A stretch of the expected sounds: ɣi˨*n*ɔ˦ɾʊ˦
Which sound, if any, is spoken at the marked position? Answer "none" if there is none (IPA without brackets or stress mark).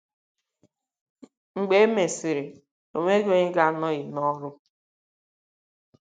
n